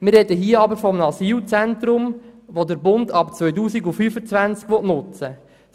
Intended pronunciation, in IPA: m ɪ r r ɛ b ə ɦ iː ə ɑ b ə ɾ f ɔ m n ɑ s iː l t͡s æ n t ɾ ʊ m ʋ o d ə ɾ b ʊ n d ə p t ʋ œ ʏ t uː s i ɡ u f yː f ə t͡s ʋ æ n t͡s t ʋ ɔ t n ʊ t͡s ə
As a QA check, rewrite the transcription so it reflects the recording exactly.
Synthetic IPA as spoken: m ɪ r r ɛ d ə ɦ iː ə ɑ b ə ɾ f ɔ m n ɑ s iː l t͡s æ n t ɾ ʊ m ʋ o d ə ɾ b ʊ n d ɑ p t͡s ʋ œ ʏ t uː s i ɡ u f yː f ə t͡s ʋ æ n t͡s k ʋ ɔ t n ʊ t͡s ə

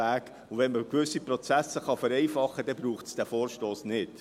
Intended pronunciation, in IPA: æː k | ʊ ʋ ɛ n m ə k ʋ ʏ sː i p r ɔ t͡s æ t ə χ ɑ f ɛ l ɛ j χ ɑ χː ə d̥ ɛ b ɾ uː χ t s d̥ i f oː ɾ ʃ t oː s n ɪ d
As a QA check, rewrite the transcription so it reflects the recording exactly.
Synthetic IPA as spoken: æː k | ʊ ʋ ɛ n m ə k ʋ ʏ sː i p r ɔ t͡s æ s ə χ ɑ f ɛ ɾ ɛ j f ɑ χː ə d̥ ɛ b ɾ uː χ t s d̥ æ f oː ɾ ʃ t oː s n ɪ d

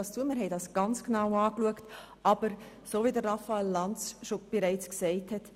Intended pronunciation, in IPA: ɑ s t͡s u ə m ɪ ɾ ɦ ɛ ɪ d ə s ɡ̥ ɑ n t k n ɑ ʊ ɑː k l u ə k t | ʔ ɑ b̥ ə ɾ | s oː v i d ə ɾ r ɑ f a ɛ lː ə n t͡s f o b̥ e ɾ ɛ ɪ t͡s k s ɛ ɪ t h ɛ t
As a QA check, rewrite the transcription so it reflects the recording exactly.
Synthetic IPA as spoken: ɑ s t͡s u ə m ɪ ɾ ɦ ɛ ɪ d ɑ s ɡ̥ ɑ n t͡s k n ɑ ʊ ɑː k l u ə k t | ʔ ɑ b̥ ə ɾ | s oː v i d ə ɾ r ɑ f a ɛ lː ɑ n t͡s ʃ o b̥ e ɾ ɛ ɪ t͡s k s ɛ ɪ t h ɛ t

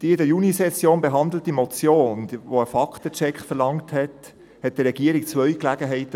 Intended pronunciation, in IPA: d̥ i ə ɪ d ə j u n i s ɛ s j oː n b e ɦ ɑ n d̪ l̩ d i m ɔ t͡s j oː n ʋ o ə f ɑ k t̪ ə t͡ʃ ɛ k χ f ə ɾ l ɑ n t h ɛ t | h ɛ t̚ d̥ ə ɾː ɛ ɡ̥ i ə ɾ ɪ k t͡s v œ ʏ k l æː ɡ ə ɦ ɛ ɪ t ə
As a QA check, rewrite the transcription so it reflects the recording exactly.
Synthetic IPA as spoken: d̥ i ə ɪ d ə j u n i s ɛ s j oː n b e ɦ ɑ n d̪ l̩ t i m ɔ t͡s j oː n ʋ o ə f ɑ k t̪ ə t͡ʃ ɛ k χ f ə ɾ l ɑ ŋ t h ɛ t | h ɛ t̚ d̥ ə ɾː ɛ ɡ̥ i ə ɾ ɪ k t͡s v œ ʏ k l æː ɡ ə ɦ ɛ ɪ t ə

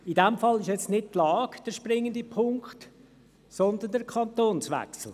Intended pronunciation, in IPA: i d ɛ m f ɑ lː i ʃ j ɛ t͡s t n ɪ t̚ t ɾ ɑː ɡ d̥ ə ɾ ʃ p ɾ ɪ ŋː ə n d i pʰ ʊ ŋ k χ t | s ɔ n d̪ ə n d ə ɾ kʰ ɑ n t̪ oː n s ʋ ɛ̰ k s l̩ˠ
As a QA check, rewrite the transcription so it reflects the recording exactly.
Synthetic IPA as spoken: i d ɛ m f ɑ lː ɪ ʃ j ɛ t͡s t n ɪ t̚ t l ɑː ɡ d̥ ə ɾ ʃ p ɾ ɪ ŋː ə n d i pʰ ʊ ŋ k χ t | s ɔ n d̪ ə n d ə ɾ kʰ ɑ n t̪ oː n s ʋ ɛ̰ k s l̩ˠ

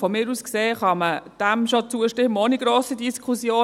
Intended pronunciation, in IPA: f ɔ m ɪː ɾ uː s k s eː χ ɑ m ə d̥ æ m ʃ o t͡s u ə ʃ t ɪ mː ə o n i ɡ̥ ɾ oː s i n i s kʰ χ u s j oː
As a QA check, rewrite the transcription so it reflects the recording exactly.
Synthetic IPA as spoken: f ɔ m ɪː ɾ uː s k s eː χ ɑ m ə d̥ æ m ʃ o t͡s u ə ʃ t ɪ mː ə o n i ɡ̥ ɾ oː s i d i s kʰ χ u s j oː

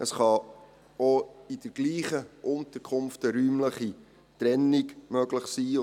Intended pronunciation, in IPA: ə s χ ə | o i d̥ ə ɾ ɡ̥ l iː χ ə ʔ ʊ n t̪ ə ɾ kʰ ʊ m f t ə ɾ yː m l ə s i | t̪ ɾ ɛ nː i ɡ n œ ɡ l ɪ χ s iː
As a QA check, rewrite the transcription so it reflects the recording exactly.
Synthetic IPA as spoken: ə s χ ɑ | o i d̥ ə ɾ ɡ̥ l iː χ ə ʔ ʊ n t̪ ə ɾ kʰ ʊ m f t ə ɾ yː m l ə χ i | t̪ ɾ ɛ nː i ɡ m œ ɡ l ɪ χ s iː

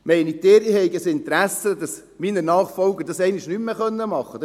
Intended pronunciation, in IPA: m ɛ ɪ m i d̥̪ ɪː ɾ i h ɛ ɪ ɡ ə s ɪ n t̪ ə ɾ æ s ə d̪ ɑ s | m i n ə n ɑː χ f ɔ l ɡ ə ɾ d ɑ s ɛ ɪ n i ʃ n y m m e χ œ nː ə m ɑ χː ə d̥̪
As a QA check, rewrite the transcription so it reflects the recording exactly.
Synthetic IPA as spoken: m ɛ ɪ n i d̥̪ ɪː ɾ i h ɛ ɪ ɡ ə s ɪ n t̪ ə ɾ æ s ə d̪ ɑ s | m i n ə n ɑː χ f ɔ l ɡ ə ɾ d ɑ s ɛ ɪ n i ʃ n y m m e χ œ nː ə m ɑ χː ə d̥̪

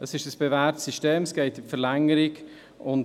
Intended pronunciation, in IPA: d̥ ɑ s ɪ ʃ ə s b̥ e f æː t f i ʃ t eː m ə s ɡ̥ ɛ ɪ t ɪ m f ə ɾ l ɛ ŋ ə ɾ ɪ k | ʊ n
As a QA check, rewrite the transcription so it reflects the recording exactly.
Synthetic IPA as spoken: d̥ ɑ s ɪ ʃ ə s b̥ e v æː t s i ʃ t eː m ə s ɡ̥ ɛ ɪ t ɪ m f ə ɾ l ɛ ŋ ə ɾ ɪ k | ʊ n

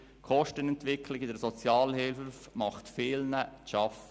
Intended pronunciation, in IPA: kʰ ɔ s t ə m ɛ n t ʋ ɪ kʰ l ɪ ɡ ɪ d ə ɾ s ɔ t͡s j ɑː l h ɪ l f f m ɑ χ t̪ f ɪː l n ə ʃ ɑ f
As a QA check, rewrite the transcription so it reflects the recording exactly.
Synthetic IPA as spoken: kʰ ɔ ʃ t ə n ɛ n t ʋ ɪ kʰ l ɪ ɡ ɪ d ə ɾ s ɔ t͡s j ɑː l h ɪ l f f m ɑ χ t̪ f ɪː l n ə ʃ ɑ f

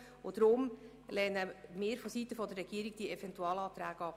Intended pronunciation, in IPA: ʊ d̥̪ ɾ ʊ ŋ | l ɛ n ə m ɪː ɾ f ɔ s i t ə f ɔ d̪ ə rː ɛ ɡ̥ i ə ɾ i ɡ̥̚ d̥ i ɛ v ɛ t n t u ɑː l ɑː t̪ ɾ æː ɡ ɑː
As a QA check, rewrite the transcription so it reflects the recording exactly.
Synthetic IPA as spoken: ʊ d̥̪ ɾ ʊ m | l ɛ n ə m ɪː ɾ f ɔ s i t ə f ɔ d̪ ə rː ɛ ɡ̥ i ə ɾ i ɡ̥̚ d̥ i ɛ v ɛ n t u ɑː l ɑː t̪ ɾ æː ɡ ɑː

